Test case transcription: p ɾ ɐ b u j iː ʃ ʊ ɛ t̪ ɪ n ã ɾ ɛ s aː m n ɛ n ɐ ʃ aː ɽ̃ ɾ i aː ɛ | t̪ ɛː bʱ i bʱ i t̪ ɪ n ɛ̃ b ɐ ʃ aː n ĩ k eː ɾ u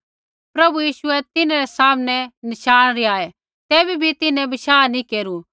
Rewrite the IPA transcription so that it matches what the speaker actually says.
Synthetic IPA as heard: p ɾ ɐ b u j iː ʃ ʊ ɛ t̪ ɪ n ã ɾ ɛ s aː m n ɛ n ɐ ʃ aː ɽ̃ ɾ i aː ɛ | t̪ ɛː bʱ i bʱ i t̪ ɪ n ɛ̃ b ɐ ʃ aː n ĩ k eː ɾ u